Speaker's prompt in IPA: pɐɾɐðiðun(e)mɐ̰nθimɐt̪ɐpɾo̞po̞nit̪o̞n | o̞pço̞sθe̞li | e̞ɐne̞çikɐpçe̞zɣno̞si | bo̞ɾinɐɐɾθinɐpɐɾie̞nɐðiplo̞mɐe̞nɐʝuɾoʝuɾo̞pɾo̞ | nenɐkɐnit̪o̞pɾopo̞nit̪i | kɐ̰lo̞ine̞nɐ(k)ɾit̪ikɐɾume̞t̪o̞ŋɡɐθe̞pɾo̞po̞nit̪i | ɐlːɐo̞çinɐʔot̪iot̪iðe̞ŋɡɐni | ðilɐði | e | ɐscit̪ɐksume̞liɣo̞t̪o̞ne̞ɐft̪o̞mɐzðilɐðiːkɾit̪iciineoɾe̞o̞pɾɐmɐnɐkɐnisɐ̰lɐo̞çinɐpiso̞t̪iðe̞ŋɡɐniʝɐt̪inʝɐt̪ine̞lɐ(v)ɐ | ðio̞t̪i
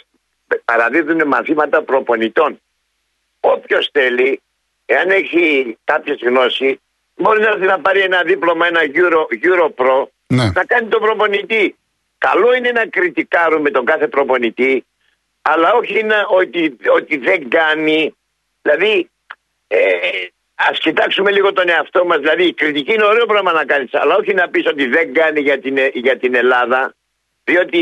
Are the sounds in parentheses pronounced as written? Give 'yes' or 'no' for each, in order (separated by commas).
yes, yes, no